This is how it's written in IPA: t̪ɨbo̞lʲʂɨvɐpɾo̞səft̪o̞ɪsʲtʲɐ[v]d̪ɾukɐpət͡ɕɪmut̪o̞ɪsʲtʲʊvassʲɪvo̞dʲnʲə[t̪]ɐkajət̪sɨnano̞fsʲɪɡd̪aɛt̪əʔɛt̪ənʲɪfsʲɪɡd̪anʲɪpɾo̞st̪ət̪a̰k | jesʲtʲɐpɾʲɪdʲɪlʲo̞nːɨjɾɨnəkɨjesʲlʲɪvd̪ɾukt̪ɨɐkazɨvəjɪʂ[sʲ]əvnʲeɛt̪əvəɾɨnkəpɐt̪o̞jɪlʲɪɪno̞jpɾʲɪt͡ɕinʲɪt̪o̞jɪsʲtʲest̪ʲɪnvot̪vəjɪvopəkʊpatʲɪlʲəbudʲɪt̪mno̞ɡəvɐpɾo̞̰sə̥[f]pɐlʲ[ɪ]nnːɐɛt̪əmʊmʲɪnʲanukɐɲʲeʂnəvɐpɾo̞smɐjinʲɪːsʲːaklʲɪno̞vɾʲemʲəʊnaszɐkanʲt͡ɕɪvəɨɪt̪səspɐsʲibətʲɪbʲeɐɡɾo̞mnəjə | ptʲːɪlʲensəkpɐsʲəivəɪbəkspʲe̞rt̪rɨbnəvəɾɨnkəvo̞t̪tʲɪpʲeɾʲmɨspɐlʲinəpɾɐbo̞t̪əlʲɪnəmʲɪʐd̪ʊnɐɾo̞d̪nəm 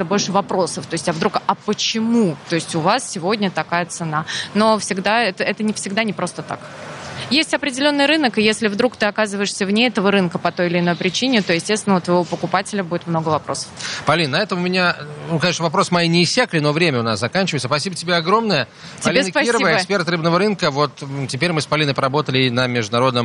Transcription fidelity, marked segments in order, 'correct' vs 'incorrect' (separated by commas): correct, correct, correct, correct, incorrect